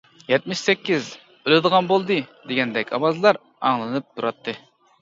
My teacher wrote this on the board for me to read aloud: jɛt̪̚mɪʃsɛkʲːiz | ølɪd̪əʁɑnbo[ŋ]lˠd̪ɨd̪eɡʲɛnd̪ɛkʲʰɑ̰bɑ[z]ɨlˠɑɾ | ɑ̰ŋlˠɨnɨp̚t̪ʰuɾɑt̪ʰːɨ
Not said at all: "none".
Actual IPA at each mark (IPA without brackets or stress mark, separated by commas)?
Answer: none, z